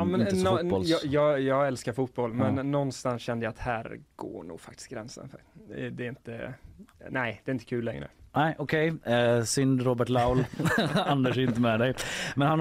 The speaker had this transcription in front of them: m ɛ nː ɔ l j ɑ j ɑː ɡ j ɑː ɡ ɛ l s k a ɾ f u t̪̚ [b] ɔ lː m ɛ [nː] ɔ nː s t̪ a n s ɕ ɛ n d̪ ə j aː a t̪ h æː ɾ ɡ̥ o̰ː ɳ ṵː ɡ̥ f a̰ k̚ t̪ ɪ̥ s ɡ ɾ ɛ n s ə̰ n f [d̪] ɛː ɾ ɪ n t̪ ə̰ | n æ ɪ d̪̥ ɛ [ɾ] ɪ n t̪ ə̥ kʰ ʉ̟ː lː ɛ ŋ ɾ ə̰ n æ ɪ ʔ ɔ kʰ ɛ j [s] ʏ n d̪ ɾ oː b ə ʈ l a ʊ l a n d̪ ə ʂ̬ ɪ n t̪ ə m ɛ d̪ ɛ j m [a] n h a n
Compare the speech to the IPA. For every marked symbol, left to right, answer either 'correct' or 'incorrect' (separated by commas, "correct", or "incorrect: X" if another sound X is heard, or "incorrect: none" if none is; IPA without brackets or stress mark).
correct, correct, correct, correct, correct, incorrect: ɛ